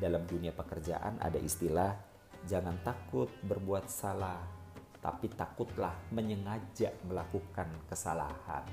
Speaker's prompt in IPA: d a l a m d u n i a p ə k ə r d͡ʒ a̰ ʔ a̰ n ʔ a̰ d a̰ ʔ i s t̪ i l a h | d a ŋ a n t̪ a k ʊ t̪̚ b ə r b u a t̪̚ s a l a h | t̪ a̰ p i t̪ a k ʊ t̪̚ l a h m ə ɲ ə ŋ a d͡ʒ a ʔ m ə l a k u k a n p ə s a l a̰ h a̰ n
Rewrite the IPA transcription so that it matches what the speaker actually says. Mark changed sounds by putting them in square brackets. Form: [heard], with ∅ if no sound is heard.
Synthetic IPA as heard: d a l a m d u n i a p ə k ə r d͡ʒ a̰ ʔ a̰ n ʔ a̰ d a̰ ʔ i s t̪ i l a h | [d͡ʒ] a ŋ a n t̪ a k ʊ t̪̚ b ə r b u a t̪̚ s a l a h | t̪ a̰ p i t̪ a k ʊ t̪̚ l a h m ə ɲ ə ŋ a d͡ʒ a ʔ m ə l a k u k a n [k] ə s a l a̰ h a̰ n